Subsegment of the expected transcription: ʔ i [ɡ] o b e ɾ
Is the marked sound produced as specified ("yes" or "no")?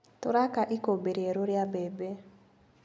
no